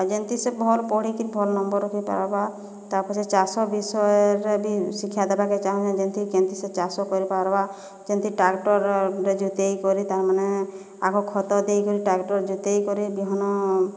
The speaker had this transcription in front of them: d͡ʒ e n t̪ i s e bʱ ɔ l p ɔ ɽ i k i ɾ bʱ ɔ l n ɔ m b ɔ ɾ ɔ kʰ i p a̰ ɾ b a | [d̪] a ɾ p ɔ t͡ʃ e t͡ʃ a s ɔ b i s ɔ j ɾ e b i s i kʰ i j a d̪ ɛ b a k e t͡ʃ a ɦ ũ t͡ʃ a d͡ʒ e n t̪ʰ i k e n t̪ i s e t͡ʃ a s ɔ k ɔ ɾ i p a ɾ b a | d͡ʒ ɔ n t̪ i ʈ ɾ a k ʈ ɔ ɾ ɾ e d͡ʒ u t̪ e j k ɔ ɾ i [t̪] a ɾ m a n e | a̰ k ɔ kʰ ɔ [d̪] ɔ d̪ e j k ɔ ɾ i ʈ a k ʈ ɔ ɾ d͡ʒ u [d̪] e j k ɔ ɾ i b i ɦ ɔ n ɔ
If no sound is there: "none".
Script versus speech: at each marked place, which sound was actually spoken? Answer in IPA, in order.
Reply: t̪, t̪, t̪, t̪

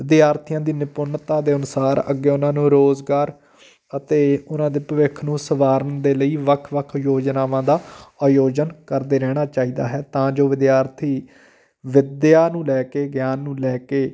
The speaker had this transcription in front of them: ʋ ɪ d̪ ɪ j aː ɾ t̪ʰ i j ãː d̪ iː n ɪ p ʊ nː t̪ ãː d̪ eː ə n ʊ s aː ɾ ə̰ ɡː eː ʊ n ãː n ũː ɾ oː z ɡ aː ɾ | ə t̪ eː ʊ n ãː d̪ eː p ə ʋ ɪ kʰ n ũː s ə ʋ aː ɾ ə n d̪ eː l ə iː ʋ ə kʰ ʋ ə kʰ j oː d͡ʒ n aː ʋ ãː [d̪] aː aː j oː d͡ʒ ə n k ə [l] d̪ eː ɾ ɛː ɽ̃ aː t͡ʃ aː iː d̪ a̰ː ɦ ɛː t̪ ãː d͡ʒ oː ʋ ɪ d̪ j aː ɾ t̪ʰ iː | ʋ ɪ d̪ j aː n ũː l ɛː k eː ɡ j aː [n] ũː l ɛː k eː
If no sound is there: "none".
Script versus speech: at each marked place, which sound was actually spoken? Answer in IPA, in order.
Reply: d̪, ɾ, nː

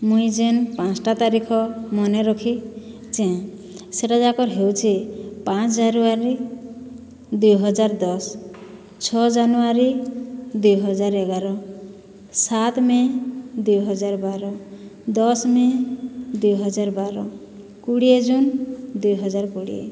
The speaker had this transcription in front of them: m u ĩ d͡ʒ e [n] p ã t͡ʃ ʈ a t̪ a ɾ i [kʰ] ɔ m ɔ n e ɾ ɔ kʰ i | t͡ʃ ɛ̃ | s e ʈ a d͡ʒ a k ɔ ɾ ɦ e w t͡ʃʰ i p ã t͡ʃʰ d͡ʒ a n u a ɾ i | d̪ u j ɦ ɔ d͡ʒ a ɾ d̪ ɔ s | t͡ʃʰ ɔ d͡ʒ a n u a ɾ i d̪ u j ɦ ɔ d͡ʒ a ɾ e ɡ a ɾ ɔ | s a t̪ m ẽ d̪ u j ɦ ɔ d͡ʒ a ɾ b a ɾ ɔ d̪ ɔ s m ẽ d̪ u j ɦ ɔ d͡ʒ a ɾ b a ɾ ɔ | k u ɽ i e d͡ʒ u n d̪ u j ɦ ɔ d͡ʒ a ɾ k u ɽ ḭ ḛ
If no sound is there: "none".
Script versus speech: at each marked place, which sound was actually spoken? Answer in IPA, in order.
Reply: n, kʰ

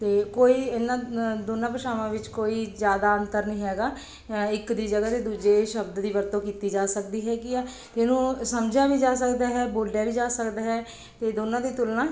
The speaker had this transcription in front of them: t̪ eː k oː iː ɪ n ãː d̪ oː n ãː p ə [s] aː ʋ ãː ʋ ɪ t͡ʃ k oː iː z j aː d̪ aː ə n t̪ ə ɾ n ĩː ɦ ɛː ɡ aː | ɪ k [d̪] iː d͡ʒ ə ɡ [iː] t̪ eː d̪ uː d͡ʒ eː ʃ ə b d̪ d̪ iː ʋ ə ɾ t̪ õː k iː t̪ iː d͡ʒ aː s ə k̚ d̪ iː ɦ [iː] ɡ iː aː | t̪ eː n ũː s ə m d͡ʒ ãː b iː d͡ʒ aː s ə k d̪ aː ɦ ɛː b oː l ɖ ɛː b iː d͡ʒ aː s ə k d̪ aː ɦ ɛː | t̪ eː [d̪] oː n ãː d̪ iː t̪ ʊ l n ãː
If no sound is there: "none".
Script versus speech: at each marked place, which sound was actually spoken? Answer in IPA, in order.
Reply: ʃ, d̪, aː, ɛː, d̪

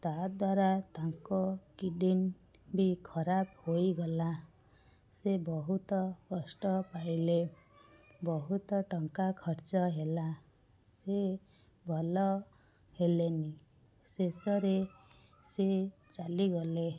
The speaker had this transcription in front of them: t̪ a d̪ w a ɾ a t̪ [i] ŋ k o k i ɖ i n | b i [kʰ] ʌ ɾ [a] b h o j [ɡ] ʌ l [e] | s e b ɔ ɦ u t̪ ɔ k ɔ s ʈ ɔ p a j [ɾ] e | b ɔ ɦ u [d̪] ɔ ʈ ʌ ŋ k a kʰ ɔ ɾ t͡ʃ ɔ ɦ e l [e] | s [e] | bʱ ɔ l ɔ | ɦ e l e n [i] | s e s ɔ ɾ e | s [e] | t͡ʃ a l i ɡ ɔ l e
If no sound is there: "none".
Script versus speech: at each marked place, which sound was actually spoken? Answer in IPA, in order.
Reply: a, kʰ, a, ɡ, a, l, t̪, a, e, i, e

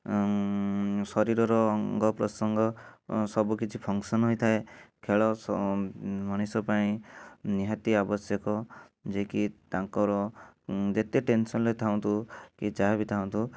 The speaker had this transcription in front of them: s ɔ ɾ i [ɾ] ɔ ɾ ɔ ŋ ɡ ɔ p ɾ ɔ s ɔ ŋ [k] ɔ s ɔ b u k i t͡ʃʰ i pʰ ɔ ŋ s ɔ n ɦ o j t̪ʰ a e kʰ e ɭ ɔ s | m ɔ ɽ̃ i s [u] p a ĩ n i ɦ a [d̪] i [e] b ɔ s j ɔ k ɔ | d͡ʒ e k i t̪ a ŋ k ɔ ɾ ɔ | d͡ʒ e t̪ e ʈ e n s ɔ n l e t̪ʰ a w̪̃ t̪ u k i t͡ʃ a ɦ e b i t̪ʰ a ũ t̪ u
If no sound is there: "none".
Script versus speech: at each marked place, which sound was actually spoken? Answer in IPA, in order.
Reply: ɾ, ɡ, ɔ, t̪, a

